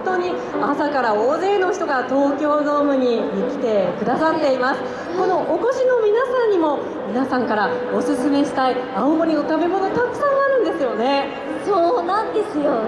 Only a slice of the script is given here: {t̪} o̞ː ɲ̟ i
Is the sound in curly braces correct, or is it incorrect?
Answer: correct